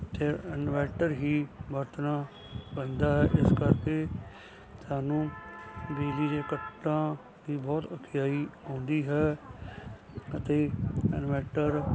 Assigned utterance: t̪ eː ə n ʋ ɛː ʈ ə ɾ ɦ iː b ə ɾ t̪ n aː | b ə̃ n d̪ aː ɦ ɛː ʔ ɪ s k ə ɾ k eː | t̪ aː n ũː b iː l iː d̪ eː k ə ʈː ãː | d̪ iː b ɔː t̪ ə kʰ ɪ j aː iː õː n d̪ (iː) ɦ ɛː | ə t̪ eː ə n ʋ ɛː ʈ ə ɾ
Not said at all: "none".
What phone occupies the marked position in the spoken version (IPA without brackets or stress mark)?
iː